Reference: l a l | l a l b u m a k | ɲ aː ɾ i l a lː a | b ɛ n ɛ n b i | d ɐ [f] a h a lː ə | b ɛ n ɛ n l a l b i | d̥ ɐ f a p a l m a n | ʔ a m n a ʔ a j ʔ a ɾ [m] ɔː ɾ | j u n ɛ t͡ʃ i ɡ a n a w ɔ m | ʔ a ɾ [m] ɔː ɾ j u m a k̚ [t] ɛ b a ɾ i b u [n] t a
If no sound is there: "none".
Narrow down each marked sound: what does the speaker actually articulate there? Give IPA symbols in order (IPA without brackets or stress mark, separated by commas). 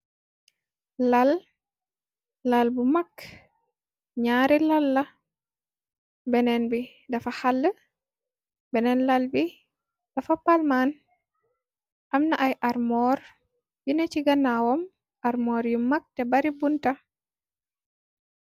f, m, m, t, n